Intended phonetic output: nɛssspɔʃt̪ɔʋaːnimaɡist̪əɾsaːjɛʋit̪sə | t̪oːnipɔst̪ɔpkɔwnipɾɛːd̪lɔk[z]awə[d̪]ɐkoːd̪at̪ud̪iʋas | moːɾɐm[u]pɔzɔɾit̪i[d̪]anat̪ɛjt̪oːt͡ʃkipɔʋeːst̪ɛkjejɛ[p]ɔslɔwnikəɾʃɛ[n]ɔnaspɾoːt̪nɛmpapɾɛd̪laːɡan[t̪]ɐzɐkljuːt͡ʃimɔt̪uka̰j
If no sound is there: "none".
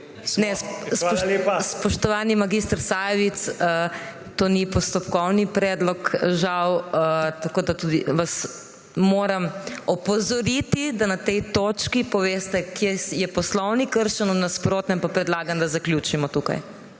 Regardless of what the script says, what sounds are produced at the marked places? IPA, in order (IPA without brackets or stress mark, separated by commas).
ʒ, t̪, ɔ, d̪, p, n, d̪